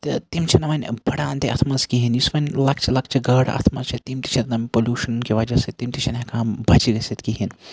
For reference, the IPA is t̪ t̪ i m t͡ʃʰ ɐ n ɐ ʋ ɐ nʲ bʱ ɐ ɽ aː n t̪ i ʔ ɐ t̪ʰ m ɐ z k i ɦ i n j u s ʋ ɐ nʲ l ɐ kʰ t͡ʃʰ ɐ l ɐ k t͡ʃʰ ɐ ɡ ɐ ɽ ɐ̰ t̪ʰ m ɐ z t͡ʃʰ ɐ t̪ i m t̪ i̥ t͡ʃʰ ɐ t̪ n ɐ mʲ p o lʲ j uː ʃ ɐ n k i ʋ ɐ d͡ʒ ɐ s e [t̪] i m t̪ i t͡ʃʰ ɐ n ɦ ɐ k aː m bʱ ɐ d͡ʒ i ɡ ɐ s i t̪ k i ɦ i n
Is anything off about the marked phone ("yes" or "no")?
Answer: no